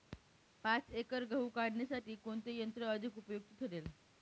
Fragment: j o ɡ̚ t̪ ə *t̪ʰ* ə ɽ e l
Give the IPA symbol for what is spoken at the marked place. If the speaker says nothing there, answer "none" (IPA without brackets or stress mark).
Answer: t̪ʰ